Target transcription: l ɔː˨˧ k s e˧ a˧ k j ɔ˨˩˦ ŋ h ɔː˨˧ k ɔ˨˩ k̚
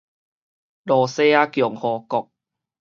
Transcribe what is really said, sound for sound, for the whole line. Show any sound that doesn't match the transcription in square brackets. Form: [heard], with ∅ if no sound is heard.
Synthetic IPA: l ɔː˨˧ [∅] s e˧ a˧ k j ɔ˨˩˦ ŋ h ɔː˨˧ k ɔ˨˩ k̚